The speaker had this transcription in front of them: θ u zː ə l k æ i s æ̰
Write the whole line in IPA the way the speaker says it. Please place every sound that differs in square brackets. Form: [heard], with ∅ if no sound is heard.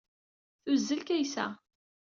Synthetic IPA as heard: θ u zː ə l k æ [j] s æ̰